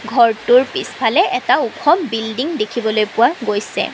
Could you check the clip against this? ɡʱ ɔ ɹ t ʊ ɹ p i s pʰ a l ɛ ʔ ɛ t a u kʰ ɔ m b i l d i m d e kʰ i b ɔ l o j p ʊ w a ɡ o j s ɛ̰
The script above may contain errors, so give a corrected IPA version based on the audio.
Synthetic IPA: ɡʱ ɔ ɹ t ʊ ɹ p i s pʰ a l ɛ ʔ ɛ t a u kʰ ɔ m b i l d i ŋ d e kʰ i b ɔ l o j p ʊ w a ɡ o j s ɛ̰